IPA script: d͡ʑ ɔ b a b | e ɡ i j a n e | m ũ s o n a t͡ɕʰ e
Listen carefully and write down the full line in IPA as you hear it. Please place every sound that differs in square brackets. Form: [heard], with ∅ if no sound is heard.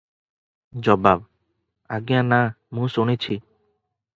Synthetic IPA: d͡ʑ ɔ b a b | [a] ɡ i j a n [a] | m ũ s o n [e] t͡ɕʰ [i]